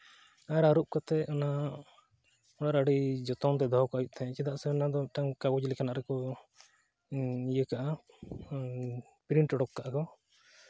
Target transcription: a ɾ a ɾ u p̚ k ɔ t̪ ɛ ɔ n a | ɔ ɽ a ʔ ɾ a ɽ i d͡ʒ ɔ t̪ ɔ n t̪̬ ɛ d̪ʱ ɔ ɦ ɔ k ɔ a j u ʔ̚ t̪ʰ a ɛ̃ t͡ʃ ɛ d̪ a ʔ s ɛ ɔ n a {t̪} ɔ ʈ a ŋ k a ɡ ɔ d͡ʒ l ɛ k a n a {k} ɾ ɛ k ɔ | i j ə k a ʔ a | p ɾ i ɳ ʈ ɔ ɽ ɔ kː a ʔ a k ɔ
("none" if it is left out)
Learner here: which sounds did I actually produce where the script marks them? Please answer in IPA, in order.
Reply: d̪, ʔ

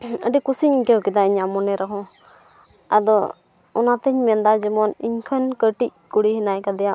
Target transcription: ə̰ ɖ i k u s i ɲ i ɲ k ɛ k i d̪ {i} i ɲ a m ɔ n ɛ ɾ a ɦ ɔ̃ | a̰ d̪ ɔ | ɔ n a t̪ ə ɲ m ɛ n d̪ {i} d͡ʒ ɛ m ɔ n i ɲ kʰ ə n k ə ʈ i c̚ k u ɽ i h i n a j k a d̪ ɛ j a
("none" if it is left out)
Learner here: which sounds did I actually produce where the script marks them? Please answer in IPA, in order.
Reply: a, a

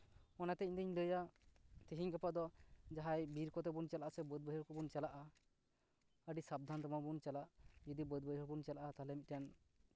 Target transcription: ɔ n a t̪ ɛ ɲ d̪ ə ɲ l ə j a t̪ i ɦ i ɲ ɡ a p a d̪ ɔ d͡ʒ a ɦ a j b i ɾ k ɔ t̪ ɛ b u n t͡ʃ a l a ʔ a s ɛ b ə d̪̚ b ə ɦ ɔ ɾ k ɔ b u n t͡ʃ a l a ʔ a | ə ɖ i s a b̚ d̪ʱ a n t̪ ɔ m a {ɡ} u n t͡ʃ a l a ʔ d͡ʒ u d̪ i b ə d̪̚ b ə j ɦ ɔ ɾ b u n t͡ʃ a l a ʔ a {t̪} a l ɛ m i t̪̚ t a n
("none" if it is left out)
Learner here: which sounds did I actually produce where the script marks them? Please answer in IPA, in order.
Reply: b, t̪

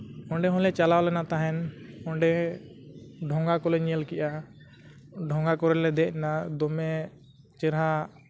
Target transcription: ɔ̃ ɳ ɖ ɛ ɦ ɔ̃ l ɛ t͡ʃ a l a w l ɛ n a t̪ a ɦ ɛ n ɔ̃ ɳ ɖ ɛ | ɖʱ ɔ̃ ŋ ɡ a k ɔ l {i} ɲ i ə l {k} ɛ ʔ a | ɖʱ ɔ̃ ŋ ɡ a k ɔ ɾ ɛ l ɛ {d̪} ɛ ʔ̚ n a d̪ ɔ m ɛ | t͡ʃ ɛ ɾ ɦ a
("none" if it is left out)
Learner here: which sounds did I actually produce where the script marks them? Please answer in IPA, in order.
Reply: ɛ, k, d̪

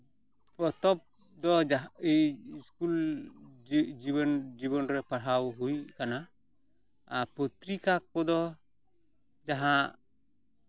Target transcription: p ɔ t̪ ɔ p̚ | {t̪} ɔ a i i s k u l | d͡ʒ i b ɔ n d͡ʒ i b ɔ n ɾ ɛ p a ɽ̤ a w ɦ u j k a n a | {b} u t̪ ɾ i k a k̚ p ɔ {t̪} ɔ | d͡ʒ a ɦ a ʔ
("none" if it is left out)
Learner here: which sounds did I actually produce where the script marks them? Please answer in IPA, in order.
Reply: d̪, p, d̪

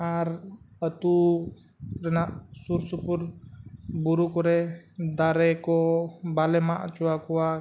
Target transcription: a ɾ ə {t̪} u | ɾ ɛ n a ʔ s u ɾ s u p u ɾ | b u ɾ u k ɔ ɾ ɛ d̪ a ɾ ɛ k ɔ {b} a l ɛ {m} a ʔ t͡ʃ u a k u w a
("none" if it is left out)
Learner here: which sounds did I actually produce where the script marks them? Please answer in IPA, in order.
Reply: t̪, b, m

